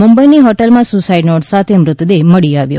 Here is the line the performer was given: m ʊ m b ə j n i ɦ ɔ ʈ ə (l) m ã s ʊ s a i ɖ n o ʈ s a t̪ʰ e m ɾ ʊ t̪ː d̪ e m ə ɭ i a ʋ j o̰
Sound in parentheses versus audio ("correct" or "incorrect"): correct